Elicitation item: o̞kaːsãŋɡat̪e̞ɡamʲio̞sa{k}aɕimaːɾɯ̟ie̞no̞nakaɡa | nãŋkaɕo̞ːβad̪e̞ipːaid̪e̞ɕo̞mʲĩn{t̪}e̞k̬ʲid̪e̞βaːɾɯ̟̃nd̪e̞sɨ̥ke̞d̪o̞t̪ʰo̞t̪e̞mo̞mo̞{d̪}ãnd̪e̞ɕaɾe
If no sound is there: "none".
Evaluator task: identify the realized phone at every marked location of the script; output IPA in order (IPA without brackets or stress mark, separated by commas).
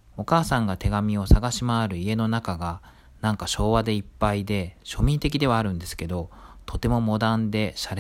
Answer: ɡ, t̪, d̪